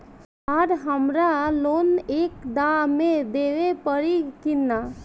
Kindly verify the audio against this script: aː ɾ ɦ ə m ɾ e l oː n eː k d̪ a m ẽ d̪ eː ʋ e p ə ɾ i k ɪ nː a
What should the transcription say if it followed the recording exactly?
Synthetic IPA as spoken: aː ɾ ɦ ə m ɾ a l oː n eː k d̪ a m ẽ d̪ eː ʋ e p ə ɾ i k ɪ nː a